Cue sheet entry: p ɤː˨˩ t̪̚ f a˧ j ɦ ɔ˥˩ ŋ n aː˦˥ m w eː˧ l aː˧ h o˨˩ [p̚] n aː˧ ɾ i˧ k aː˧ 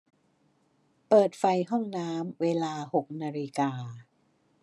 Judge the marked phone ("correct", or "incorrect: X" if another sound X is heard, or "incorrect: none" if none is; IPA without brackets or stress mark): incorrect: k̚